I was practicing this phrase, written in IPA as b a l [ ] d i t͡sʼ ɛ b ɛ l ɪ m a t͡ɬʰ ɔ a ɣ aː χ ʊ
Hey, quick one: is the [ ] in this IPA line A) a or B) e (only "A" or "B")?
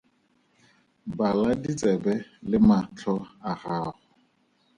A